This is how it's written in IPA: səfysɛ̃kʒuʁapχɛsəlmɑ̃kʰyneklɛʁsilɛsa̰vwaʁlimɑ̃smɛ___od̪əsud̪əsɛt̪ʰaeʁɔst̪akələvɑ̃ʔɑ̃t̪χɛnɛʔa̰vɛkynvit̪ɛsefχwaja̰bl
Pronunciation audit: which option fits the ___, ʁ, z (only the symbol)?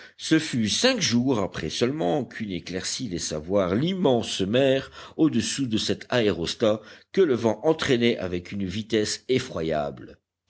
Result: ʁ